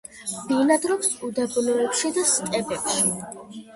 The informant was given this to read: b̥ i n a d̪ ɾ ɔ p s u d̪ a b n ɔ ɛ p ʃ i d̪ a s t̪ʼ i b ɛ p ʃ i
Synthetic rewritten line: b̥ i n a d̪ ɾ ɔ p s u d̪ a b n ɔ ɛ p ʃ i d̪ a s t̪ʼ ɛ b ɛ p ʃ i

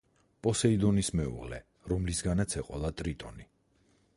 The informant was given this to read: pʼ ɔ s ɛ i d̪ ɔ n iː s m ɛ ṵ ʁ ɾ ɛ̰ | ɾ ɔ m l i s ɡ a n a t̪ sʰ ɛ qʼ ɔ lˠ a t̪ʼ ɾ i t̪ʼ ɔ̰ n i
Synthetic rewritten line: pʼ ɔ s ɛ i d̪ ɔ n i s m ɛ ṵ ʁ l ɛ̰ | ɾ ɔ m l i s ɡ a n a t̪ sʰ ɛ qʼ ɔ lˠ a t̪ʼ ɾ i t̪ʼ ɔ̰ n i

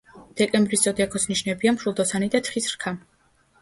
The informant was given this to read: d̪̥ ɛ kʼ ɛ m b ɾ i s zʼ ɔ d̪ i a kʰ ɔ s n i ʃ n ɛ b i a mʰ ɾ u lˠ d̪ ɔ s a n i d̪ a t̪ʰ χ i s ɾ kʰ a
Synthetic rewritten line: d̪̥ ɛ kʼ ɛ m b ɾ i s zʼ ɔ d̪ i a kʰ ɔ s n i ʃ n ɛ b i a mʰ ɾ u lˠ d̪ ɔ s a n i d̪ a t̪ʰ χ i s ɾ kʰ a

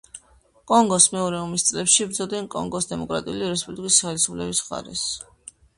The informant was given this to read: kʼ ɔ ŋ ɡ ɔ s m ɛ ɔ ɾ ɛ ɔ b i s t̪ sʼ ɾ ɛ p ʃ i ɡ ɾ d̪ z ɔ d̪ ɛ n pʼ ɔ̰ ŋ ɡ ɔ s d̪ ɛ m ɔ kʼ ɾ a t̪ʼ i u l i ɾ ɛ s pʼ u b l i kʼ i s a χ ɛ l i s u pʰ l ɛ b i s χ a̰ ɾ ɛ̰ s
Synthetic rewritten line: kʼ ɔ ŋ ɡ ɔ s m ɛ ɔ ɾ ɛ ɔ m i s t̪ sʼ l ɛ p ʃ i b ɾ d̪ z ɔ d̪ ɛ n kʼ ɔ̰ ŋ ɡ ɔ s d̪ ɛ m ɔ kʼ ɾ a t̪ʼ i u l i ɾ ɛ s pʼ u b l i kʼ i s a χ ɛ l i s u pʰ l ɛ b i s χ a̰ ɾ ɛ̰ s

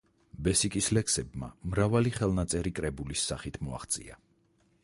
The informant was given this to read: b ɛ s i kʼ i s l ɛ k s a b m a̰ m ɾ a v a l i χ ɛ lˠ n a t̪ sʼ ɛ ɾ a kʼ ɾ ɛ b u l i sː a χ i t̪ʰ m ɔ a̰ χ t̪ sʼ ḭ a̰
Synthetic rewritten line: b ɛ s i kʼ i s l ɛ k s ɛ b m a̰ m ɾ a v a l i χ ɛ lˠ n a t̪ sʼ ɛ ɾ i kʼ ɾ ɛ b u l i sː a χ i t̪ʰ m ɔ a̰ χ t̪ sʼ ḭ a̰

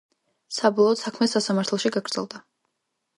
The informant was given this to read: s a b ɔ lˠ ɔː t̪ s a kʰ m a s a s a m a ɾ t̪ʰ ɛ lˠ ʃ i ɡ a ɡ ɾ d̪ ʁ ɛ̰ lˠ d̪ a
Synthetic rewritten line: s a b ɔ lˠ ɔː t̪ s a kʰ m ɛ s a s a m a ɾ t̪ʰ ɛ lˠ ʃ i ɡ a ɡ ɾ d̪ z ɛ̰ lˠ d̪ a

